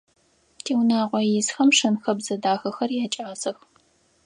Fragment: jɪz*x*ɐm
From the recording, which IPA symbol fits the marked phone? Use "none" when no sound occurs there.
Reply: x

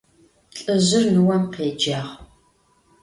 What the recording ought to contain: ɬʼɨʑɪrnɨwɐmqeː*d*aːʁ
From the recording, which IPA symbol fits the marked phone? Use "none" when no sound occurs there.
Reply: d͡ʒ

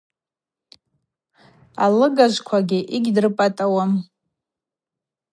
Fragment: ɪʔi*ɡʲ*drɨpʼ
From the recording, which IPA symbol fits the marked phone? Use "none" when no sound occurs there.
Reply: ɡʲ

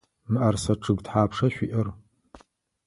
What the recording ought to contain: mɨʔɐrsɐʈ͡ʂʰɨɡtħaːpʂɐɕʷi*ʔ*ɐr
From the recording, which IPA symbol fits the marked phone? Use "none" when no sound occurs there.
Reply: ʔ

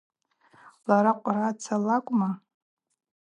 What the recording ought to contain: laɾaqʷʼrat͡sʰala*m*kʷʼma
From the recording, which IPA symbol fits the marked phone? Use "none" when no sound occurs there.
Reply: none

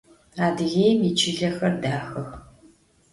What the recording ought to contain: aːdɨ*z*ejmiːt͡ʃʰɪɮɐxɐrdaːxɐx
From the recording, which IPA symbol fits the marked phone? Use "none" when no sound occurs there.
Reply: ɣ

